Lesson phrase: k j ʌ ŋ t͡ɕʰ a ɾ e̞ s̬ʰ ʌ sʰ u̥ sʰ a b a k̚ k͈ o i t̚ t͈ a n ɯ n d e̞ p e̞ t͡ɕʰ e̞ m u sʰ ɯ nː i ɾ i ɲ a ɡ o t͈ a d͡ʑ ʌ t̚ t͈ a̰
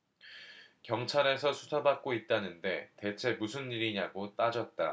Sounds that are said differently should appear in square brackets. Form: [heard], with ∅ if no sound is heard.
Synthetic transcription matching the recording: k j ʌ ŋ t͡ɕʰ a ɾ e̞ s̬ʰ ʌ sʰ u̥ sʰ a b a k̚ k͈ o i t̚ t͈ a n ɯ n d e̞ [t] e̞ t͡ɕʰ e̞ m u sʰ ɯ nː i ɾ i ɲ a ɡ o t͈ a d͡ʑ ʌ t̚ t͈ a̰